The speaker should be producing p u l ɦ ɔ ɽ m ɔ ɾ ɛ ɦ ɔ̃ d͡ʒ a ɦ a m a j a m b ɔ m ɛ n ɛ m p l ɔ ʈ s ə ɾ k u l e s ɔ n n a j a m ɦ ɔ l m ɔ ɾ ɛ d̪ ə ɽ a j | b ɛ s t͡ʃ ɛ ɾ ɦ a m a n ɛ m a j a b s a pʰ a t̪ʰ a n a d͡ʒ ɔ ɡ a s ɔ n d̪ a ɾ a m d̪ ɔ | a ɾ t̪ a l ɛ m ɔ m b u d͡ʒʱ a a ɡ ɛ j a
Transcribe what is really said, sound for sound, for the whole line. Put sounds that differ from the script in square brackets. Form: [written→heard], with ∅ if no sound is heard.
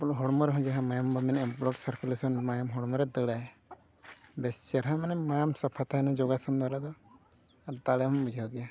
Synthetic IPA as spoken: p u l ɦ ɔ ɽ m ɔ ɾ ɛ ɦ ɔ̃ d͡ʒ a ɦ a m a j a m b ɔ m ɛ n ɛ m p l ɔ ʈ s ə ɾ k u l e s ɔ n [n→m] a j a m ɦ ɔ [l→ɽ] m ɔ ɾ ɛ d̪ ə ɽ a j | b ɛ s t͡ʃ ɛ ɾ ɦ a m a n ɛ m a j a [b→m] s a pʰ a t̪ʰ a n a d͡ʒ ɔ ɡ a s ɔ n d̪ a ɾ a [m→∅] d̪ ɔ | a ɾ t̪ a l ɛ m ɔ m b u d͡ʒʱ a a ɡ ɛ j a

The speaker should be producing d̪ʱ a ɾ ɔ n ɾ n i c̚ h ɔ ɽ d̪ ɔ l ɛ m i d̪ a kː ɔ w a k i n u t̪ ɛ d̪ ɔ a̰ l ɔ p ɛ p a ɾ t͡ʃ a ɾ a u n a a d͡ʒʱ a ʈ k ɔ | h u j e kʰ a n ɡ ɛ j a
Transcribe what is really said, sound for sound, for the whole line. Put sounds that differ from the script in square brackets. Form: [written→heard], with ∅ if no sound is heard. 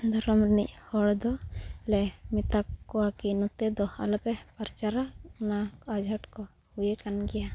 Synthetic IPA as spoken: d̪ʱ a ɾ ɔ [n→m] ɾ n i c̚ h ɔ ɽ d̪ ɔ l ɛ m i [d̪→t̪] a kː ɔ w a k i n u t̪ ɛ d̪ ɔ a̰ l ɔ p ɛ p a ɾ t͡ʃ a ɾ a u n a a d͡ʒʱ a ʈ k ɔ | h u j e [kʰ→k] a n ɡ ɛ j a

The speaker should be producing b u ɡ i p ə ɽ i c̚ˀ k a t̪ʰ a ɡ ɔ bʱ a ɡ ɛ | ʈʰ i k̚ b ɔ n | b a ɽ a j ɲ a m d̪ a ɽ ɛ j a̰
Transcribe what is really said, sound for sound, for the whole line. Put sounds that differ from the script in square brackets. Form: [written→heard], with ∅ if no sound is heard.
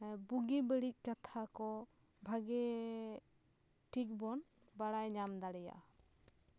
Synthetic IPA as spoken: b u ɡ i [p→b] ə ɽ i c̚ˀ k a t̪ʰ a [ɡ→k] ɔ bʱ a ɡ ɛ | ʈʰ i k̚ b ɔ n | b a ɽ a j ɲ a m d̪ a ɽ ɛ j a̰

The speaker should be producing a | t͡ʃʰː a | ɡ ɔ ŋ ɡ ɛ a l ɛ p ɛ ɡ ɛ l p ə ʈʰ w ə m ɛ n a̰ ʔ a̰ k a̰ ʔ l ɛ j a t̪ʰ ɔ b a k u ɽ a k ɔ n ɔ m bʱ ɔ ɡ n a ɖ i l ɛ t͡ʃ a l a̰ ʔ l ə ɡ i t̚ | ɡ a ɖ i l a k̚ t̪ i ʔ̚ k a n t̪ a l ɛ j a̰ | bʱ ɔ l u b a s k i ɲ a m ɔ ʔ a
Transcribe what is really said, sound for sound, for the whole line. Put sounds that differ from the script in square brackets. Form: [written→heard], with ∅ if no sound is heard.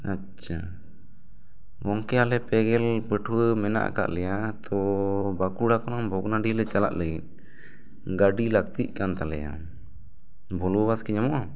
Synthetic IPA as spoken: a | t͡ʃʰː a | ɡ ɔ ŋ [ɡ→k] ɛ a l ɛ p ɛ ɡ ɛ l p ə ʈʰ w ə m ɛ n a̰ ʔ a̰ k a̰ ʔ l ɛ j a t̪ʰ ɔ b a k u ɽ a k ɔ n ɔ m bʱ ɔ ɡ n a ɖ i l ɛ t͡ʃ a l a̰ ʔ l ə ɡ i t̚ | ɡ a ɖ i l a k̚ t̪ i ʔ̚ k a n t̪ a l ɛ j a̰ | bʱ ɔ l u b a s k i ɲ a m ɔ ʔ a

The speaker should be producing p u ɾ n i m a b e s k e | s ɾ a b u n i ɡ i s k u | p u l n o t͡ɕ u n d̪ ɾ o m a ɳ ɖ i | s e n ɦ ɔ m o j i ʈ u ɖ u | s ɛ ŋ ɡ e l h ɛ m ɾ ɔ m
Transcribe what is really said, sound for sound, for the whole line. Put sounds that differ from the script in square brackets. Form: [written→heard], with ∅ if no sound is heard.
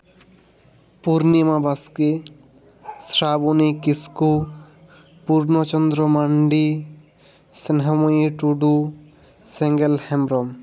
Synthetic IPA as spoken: p u ɾ n i m a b [e→a] s k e | s ɾ a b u n i [ɡ→k] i s k u | p u [l→ɾ] n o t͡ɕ [u→ɔ] n d̪ ɾ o m a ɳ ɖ i | s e n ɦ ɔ m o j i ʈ u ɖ u | s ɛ ŋ ɡ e l h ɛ m ɾ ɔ m

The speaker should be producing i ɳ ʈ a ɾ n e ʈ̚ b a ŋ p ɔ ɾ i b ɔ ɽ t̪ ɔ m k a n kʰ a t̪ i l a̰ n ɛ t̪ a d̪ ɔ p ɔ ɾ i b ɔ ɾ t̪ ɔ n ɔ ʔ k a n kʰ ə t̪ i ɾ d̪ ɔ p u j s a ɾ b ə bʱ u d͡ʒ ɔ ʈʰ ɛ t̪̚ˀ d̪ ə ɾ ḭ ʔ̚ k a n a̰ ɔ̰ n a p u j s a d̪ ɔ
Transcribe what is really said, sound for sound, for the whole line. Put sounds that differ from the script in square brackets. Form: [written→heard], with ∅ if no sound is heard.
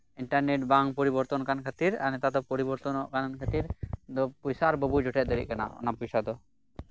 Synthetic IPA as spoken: i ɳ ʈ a ɾ n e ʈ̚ b a ŋ p ɔ ɾ i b ɔ [ɽ→ɾ] t̪ ɔ [m→n] k a n kʰ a t̪ i [l→ɾ] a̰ n ɛ t̪ a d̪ ɔ p ɔ ɾ i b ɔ ɾ t̪ ɔ n ɔ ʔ k a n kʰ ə t̪ i ɾ d̪ ɔ p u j s a ɾ b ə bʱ u d͡ʒ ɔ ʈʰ ɛ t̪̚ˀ d̪ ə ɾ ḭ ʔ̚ k a n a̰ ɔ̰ n a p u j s a d̪ ɔ

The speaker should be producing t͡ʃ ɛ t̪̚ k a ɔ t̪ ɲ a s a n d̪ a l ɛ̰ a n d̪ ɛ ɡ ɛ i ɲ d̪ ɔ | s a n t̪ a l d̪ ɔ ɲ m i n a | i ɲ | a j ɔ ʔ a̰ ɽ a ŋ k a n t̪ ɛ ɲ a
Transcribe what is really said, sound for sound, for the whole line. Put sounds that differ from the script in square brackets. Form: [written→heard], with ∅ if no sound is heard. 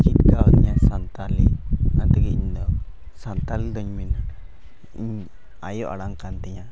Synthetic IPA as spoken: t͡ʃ [ɛ→i] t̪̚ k a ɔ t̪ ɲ a s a n [d̪→t̪] a l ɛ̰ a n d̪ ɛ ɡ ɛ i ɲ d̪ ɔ | s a n t̪ a l d̪ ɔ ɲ m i n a | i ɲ | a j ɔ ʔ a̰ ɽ a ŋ k a n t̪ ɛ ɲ a

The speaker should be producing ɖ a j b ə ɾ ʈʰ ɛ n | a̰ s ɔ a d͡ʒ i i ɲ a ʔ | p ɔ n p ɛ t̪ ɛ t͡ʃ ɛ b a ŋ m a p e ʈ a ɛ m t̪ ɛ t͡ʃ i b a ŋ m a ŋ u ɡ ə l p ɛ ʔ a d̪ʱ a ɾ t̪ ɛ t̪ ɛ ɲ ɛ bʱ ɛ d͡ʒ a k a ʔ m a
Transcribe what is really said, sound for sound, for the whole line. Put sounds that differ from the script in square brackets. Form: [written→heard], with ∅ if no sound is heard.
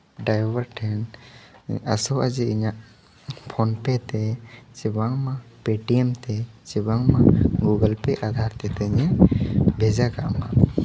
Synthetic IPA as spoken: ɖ a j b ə ɾ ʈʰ ɛ n | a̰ s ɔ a d͡ʒ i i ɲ a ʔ | [p→pʰ] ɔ n p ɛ t̪ ɛ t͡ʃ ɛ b a ŋ m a p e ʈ [a→i] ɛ m t̪ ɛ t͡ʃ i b a ŋ m a [ŋ→ɡ] u ɡ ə l p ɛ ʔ a d̪ʱ a ɾ t̪ ɛ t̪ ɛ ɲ ɛ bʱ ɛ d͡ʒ a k a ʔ m a

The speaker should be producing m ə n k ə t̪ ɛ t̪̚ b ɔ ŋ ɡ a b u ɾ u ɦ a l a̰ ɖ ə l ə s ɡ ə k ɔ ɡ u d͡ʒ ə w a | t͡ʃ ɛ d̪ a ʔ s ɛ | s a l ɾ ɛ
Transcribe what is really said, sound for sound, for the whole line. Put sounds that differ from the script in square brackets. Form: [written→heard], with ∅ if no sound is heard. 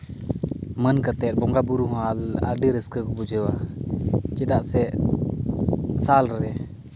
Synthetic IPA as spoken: m ə n k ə t̪ ɛ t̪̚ b ɔ ŋ ɡ a b u ɾ u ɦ a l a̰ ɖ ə [l→ɾ] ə s [ɡ→k] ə k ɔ [ɡ→b] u d͡ʒ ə w a | t͡ʃ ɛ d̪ a ʔ s ɛ | s a l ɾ ɛ

